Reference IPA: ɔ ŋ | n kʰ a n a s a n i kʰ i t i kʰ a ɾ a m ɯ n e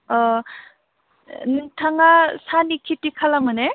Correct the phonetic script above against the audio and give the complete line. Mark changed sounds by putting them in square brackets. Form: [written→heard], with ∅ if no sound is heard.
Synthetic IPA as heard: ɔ [ŋ→∅] | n [kʰ→tʰ] a [n→ŋ] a s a n i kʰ i t i kʰ a [ɾ→l] a m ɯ n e